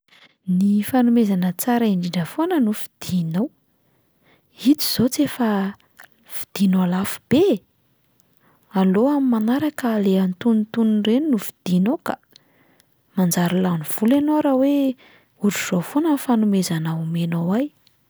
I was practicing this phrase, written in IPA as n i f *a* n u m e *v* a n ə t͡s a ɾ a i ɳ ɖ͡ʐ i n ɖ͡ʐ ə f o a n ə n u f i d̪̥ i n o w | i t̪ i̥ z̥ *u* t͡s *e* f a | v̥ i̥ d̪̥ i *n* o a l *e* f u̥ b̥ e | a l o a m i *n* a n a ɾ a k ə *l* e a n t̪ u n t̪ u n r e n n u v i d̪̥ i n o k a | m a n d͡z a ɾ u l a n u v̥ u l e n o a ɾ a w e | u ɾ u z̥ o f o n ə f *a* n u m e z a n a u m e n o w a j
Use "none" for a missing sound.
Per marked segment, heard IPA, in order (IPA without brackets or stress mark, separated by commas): a, z, o, e, n, a, m, l, a